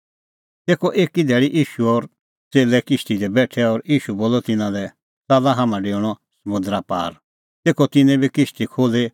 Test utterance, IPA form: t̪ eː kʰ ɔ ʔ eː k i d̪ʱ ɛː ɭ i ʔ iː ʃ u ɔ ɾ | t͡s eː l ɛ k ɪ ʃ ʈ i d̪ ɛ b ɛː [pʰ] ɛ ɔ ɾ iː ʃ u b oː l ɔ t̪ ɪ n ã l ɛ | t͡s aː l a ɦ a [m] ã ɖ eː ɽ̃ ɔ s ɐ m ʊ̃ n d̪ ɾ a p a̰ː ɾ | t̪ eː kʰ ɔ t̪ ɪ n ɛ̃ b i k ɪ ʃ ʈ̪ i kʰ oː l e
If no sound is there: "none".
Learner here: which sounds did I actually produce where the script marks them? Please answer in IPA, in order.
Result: ʈʰ, m

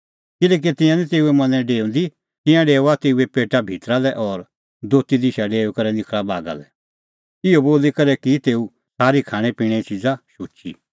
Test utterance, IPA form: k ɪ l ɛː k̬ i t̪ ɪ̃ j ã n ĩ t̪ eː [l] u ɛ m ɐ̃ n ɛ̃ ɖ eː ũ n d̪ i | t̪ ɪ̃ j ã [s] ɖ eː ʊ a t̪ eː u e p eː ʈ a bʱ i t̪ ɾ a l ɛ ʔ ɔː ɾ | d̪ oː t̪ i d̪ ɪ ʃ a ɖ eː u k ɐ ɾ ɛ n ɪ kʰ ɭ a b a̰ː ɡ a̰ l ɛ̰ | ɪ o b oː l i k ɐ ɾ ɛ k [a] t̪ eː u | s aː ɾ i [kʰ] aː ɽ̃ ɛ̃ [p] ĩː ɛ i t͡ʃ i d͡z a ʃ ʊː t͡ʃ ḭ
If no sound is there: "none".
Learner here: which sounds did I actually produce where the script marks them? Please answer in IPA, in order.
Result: none, none, i, kʰ, p

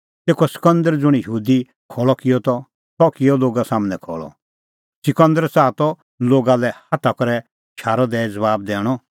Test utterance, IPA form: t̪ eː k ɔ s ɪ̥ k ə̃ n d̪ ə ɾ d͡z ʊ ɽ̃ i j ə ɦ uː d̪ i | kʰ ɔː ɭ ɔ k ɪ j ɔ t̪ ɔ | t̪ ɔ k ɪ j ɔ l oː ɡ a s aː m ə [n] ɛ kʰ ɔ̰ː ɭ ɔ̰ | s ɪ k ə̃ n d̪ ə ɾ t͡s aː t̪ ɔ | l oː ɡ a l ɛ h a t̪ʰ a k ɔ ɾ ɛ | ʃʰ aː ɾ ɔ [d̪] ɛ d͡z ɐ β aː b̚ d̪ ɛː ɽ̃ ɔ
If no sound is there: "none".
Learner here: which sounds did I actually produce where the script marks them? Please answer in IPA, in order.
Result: n, d̪

